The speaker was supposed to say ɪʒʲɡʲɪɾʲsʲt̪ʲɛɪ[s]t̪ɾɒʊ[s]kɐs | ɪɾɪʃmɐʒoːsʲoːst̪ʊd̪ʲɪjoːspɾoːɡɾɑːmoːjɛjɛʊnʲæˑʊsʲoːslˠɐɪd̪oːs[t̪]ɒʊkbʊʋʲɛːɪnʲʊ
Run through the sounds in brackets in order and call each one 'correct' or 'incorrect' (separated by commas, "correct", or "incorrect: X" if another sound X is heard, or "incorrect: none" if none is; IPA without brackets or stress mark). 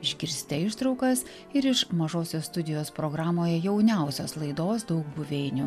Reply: incorrect: ʃ, incorrect: none, incorrect: d̪